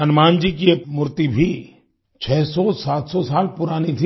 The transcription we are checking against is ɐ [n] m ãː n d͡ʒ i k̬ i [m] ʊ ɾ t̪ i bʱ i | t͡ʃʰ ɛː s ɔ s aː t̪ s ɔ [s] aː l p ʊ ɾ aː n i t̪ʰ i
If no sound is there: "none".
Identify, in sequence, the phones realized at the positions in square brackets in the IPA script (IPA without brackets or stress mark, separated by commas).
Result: n, m, s